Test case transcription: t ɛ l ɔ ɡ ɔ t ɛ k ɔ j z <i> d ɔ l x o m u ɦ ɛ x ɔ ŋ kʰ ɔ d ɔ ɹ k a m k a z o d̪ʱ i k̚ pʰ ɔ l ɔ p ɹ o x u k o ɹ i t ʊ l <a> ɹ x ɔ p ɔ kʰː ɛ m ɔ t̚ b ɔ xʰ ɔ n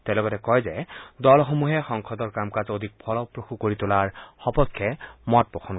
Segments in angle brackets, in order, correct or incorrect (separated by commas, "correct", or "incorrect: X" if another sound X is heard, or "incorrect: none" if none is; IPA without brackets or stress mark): incorrect: ɛ, correct